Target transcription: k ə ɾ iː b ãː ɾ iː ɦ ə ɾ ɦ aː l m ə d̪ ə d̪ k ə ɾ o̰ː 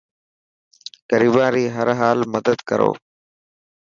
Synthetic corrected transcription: k ə ɾ iː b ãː ɾ iː ɦ ə ɾ ɦ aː l m ə d̪ ə d̪ k ə ɾ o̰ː